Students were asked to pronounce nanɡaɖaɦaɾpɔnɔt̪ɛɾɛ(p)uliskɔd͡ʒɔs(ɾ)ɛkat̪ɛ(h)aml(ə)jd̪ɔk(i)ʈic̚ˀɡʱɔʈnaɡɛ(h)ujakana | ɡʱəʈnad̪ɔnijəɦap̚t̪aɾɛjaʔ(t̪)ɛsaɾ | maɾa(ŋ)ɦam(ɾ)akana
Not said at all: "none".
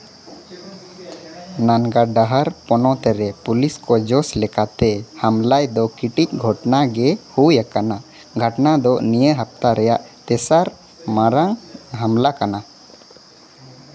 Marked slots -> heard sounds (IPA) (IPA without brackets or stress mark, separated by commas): p, l, h, a, i, h, t̪, ŋ, l